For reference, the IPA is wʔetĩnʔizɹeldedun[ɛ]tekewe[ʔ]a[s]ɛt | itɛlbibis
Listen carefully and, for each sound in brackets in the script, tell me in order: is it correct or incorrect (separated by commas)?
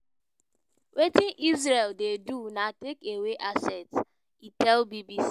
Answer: incorrect, correct, correct